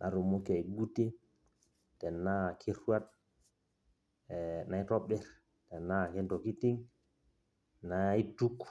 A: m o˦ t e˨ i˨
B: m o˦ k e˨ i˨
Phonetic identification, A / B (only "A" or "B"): B